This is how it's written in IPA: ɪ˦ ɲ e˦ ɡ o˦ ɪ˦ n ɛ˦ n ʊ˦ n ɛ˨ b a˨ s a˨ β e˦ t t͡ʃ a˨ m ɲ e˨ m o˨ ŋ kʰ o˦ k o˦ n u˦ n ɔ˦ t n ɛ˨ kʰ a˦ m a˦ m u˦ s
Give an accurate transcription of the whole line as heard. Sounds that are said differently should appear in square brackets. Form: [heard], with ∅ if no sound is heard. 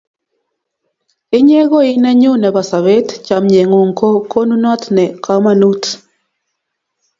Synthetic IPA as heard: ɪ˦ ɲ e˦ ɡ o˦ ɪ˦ n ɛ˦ [ɲ] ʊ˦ n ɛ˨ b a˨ s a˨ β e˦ t t͡ʃ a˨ m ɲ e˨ [ŋ] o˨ ŋ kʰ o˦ k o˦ n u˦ n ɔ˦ t n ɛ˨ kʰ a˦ m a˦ [n] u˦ [t]